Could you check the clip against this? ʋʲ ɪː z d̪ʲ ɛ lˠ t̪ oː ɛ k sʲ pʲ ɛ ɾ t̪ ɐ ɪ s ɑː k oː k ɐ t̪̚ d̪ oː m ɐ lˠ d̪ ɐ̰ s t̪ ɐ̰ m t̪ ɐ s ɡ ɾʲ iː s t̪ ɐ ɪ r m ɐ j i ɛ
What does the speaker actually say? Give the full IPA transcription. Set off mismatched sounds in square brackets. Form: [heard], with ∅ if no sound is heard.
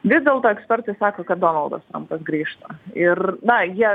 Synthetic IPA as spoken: ʋʲ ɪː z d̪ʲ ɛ lˠ t̪ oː ɛ k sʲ pʲ ɛ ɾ t̪ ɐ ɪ s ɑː k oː k ɐ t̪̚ d̪ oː [n] ɐ lˠ d̪ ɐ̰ s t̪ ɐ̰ m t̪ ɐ s ɡ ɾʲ iː [ʃ] t̪ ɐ ɪ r [n] ɐ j i ɛ

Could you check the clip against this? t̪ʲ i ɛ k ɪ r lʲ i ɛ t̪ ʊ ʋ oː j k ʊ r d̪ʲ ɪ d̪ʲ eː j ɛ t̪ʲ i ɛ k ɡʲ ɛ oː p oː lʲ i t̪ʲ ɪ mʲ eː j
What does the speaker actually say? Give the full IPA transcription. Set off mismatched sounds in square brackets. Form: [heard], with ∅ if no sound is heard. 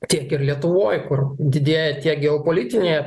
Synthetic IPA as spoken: t̪ʲ i ɛ k ɪ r lʲ i ɛ t̪ ʊ ʋ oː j k ʊ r d̪ʲ ɪ d̪ʲ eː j ɛ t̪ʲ i ɛ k ɡʲ ɛ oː p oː lʲ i t̪ʲ ɪ [nʲ] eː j

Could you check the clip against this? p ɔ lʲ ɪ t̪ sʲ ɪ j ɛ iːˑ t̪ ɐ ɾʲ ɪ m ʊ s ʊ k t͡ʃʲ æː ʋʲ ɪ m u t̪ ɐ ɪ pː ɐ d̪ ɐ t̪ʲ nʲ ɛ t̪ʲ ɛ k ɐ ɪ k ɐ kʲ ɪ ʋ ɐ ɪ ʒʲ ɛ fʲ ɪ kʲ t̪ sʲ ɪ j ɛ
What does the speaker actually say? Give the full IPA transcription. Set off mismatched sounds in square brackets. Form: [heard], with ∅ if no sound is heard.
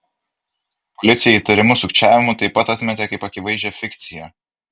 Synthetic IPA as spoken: p ɔ lʲ ɪ t̪ sʲ ɪ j ɛ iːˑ t̪ ɐ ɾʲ ɪ m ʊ s ʊ k t͡ʃʲ æː ʋʲ ɪ m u t̪ ɐ ɪ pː ɐ [t̪] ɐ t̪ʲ [mʲ] ɛ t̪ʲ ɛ k ɐ ɪ [p] ɐ kʲ ɪ ʋ ɐ ɪ ʒʲ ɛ fʲ ɪ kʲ t̪ sʲ ɪ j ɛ

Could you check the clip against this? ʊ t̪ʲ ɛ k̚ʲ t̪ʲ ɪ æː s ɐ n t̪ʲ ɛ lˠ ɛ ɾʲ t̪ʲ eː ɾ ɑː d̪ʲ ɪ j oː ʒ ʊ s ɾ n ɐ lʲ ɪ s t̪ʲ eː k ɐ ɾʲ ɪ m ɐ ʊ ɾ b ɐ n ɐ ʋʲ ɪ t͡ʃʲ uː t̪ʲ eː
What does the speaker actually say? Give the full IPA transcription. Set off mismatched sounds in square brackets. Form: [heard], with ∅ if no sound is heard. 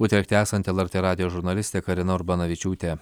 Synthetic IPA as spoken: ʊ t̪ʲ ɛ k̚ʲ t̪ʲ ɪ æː s ɐ n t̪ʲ ɛ lˠ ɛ ɾʲ t̪ʲ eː ɾ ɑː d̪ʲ ɪ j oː ʒ ʊ [∅] ɾ n ɐ lʲ ɪ s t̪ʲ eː k ɐ ɾʲ ɪ [n] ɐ ʊ ɾ b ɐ n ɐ ʋʲ ɪ t͡ʃʲ uː t̪ʲ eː

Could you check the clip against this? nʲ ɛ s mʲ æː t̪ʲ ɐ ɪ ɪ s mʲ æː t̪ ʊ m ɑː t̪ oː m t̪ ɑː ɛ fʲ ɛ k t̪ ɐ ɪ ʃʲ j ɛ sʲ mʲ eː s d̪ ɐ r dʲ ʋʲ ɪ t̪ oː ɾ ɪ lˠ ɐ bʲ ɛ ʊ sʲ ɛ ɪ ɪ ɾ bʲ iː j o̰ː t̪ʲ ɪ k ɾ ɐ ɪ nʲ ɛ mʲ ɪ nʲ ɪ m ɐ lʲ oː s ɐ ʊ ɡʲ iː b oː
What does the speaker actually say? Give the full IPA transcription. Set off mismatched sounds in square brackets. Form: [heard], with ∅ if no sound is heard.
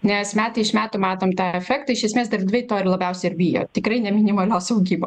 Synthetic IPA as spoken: nʲ ɛ s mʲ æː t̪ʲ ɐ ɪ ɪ [ʃ] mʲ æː t̪ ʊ m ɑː t̪ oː m t̪ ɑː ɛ fʲ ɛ k t̪ ɐ ɪ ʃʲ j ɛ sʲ mʲ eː s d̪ ɐ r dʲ ʋʲ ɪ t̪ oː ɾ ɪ lˠ ɐ bʲ ɛ ʊ sʲ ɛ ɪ ɪ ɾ bʲ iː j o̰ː t̪ʲ ɪ k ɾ ɐ ɪ nʲ ɛ mʲ ɪ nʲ ɪ m ɐ lʲ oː s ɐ ʊ ɡʲ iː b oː

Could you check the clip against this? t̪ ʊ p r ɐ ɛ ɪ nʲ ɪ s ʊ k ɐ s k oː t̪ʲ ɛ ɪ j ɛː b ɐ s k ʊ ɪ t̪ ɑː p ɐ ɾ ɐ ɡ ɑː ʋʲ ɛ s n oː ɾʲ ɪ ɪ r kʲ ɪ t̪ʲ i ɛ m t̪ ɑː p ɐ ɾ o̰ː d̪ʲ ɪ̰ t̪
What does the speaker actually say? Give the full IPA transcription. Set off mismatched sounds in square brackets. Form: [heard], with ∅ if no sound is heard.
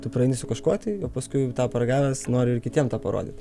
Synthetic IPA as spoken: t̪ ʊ p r ɐ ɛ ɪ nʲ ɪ s ʊ k ɐ [ʃ] k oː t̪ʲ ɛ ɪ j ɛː [p] ɐ s k ʊ ɪ t̪ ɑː p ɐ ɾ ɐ ɡ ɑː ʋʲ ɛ s n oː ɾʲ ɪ ɪ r kʲ ɪ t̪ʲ i ɛ m t̪ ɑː p ɐ ɾ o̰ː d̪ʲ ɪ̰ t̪

